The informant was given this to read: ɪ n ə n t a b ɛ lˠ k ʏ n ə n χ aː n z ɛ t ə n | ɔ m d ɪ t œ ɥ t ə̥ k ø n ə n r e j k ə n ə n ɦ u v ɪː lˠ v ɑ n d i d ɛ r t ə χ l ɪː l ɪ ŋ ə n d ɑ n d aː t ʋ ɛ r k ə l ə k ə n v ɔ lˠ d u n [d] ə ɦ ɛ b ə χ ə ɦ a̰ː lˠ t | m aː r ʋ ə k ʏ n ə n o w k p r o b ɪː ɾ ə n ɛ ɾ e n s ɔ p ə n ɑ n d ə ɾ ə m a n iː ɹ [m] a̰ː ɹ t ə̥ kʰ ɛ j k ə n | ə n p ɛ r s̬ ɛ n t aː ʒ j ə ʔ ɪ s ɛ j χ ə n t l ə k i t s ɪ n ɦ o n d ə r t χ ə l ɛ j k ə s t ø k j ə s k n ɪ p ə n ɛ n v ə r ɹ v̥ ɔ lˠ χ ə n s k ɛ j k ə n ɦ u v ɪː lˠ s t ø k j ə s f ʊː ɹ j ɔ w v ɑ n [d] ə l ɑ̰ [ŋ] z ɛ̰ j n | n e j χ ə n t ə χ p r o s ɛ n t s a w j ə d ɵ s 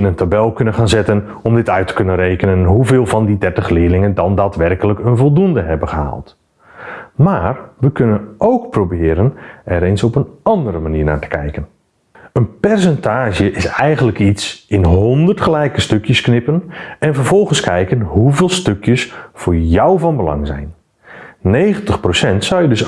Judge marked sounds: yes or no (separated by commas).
yes, no, no, yes